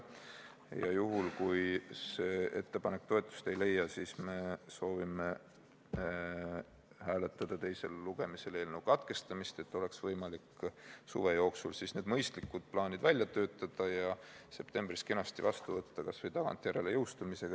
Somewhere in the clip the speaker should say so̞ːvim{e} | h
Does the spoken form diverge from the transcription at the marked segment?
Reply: no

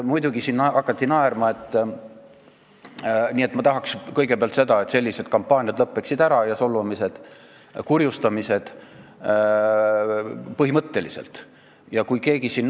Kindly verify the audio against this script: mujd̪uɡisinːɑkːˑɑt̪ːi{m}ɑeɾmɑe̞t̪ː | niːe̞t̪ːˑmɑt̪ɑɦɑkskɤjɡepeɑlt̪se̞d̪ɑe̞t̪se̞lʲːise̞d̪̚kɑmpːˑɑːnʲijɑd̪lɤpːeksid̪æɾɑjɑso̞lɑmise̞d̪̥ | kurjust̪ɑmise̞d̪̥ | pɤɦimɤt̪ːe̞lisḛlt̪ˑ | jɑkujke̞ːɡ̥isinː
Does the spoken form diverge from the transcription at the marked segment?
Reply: yes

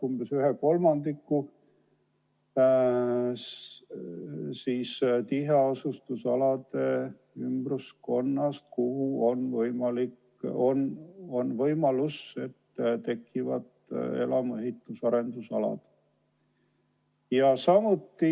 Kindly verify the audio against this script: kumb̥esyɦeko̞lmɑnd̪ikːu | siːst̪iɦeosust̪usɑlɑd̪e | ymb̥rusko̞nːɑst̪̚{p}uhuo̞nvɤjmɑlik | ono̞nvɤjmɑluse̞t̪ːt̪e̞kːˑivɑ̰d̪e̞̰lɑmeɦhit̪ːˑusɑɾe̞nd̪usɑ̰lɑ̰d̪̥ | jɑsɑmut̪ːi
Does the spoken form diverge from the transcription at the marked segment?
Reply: yes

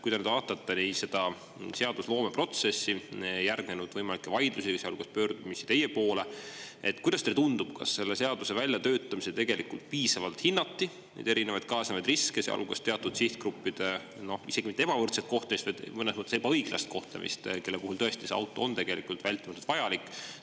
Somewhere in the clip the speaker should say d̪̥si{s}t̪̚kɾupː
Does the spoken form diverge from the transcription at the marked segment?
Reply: yes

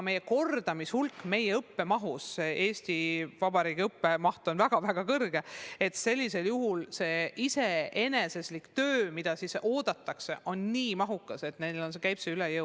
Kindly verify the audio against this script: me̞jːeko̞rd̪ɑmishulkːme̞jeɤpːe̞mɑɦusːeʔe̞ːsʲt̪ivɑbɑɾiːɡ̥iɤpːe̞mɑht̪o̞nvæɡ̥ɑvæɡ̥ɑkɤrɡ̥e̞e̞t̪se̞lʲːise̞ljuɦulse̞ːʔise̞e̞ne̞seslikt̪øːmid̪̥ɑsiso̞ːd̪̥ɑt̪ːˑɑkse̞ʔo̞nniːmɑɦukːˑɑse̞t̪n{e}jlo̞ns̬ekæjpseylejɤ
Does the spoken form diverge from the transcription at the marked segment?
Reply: no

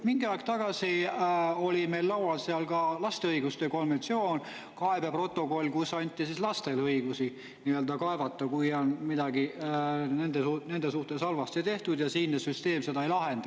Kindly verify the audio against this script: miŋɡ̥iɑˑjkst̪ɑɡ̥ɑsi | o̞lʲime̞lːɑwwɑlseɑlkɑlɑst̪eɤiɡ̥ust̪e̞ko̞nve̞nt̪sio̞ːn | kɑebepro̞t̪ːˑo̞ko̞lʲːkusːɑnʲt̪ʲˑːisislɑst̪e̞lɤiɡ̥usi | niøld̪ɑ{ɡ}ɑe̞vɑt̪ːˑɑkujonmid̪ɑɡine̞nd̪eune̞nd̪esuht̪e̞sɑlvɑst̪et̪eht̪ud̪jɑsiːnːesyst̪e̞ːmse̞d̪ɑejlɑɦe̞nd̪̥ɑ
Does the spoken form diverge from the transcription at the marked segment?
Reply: yes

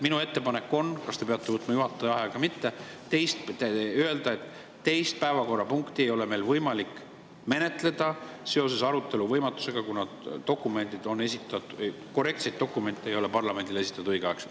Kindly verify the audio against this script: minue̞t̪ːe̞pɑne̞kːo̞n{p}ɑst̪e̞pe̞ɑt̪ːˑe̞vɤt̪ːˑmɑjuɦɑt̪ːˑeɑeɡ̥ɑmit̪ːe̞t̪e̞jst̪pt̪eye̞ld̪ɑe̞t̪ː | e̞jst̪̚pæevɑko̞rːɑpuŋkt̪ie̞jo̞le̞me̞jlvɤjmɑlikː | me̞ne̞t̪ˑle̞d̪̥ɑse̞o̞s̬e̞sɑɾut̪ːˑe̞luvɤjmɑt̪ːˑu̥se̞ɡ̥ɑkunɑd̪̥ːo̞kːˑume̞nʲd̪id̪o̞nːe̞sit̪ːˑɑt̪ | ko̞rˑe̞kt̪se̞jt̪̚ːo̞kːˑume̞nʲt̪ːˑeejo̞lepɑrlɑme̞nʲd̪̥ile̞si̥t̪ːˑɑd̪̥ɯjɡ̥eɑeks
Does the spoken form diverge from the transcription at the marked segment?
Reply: yes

